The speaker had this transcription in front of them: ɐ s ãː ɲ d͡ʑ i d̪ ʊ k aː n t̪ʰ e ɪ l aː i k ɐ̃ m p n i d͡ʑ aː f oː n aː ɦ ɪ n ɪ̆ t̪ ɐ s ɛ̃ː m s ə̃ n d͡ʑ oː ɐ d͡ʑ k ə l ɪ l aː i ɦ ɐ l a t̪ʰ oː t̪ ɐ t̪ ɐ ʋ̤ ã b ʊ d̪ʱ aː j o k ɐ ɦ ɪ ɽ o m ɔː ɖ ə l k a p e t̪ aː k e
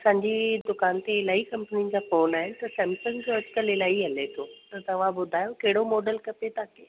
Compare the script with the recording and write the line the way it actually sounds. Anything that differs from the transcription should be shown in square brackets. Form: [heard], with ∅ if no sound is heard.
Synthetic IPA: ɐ s ãː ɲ d͡ʑ i d̪ ʊ k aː n [t̪] e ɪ l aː i k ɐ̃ m p n i d͡ʑ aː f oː n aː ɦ ɪ n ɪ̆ t̪ ɐ s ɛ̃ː m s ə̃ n d͡ʑ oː ɐ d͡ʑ k ə l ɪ l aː i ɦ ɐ l [e] t̪ʰ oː t̪ ɐ t̪ ɐ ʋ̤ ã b ʊ d̪ʱ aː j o k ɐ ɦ ɪ ɽ o m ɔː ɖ ə l k [ɐ] p e t̪ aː k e